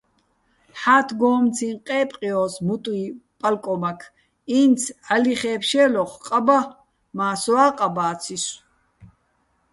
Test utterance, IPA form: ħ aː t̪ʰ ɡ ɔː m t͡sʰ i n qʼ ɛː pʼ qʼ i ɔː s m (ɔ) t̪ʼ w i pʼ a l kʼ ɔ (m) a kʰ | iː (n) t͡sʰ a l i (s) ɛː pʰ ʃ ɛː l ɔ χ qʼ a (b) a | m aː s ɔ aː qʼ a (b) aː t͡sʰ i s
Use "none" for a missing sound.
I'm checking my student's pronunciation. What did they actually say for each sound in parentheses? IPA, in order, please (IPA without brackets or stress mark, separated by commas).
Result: u, m, n, χ, b, b